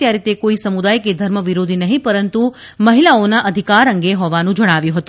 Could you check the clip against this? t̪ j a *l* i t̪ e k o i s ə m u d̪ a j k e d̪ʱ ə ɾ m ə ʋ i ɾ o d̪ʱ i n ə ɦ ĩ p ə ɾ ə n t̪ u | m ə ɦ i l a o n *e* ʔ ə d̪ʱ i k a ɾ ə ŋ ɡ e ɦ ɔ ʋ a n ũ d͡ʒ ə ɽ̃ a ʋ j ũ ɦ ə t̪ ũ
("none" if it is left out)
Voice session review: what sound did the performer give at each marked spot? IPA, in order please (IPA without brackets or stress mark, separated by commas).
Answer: ɾ, a